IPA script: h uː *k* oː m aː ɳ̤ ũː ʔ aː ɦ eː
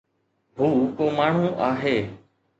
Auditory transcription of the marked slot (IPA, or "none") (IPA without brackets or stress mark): k